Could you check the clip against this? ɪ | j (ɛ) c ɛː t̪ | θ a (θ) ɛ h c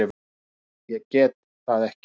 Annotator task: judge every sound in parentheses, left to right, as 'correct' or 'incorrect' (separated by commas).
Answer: correct, incorrect